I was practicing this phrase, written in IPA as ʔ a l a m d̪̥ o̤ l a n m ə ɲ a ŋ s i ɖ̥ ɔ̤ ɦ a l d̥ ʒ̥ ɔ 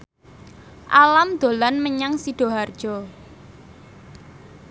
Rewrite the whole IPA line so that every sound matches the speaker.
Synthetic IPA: ʔ a l a m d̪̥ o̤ l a n m ə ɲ a ŋ s i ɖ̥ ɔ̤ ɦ a r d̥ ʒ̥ ɔ

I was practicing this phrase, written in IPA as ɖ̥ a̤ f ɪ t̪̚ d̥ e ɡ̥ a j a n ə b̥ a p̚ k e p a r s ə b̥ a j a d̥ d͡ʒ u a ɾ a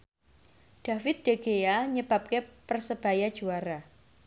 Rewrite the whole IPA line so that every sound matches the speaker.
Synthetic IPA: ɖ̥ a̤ f ɪ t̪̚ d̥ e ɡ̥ e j a ɲ ə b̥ a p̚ k e p ə r s ə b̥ a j a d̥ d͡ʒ u a ɾ a

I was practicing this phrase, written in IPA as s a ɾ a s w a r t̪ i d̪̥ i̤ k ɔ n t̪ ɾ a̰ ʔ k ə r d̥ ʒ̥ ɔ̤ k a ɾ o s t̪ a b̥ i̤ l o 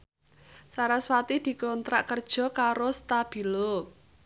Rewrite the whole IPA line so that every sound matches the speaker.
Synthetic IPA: s a ɾ a s w a t̪ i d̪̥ i̤ k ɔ n t̪ ɾ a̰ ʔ k ə r d̥ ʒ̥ ɔ̤ k a ɾ o s t̪ a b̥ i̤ l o

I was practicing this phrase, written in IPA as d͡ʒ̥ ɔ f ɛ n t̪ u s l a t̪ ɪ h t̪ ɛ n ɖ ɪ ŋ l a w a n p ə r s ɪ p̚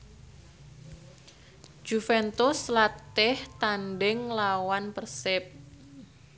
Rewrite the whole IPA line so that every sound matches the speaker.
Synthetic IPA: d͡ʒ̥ u f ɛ n t̪ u s l a t̪ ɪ h t̪ a n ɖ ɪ ŋ l a w a n p ə r s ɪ p̚

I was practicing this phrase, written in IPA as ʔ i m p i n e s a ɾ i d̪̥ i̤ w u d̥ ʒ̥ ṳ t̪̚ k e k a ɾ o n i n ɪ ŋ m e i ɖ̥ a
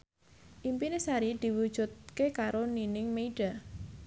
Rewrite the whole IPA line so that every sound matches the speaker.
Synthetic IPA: ʔ i m p i n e s a ɾ i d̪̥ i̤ w u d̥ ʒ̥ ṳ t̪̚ k e k a ɾ o n i n ɪ ŋ m e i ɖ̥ a

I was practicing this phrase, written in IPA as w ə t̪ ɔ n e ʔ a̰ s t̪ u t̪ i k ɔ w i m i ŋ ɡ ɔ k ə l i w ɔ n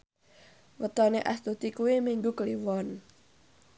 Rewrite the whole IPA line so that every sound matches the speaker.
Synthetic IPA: w ə t̪ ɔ n e ʔ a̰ s t̪ u t̪ i k u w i m i ŋ ɡ u k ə l i w ɔ n

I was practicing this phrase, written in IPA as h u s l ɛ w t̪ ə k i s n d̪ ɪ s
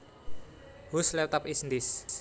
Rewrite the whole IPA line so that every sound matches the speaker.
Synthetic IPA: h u s l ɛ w t̪ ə p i s n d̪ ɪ s

